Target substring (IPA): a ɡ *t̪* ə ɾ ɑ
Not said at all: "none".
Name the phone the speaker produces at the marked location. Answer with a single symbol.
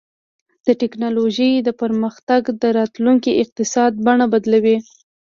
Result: d̪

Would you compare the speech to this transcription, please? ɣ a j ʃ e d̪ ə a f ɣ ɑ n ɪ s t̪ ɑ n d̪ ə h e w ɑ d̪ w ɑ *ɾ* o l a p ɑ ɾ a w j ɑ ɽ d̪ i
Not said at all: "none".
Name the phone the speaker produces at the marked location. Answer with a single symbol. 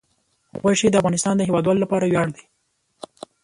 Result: l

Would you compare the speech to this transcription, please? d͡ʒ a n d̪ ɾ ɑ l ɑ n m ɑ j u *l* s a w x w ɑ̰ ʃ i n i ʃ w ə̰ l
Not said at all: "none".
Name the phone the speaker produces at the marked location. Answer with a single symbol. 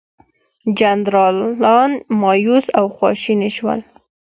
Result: none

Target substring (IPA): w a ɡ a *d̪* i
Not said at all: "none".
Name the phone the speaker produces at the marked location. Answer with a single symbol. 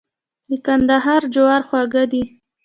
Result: d̪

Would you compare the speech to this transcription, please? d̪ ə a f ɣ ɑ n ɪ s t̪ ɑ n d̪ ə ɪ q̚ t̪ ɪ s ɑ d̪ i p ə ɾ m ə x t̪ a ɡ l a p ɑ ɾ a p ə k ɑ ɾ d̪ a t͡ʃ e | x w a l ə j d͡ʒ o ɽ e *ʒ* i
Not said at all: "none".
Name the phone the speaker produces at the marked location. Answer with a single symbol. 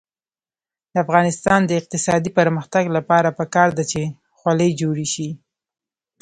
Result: ʃ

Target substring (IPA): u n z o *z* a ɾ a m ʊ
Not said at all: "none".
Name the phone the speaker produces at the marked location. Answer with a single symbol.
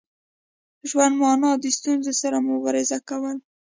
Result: s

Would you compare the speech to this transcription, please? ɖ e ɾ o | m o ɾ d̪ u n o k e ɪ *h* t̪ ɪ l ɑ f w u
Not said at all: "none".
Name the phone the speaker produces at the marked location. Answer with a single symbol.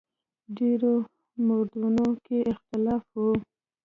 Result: x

